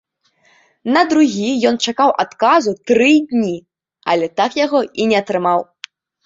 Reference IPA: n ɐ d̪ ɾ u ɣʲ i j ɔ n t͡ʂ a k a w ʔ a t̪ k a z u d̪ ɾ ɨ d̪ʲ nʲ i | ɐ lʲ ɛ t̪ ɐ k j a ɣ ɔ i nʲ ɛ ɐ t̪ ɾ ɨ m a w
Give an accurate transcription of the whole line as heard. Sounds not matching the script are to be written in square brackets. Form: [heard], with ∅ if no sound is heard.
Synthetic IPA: n ɐ d̪ ɾ u ɣʲ i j ɔ n t͡ʂ a k a w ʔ a t̪ k a z u [t̪] ɾ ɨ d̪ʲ nʲ i | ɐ lʲ ɛ t̪ [a] k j a ɣ ɔ i nʲ ɛ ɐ t̪ ɾ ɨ m a w